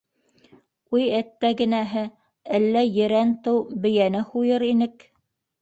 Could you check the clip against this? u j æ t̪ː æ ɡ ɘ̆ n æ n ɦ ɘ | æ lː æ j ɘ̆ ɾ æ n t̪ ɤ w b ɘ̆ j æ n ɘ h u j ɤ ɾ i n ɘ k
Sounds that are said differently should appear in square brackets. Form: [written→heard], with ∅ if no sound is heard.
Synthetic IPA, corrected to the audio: u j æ t̪ː æ ɡ ɘ̆ n æ [n→∅] ɦ ɘ | æ lː æ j ɘ̆ ɾ æ n t̪ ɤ w b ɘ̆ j æ n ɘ h u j ɤ ɾ i n ɘ k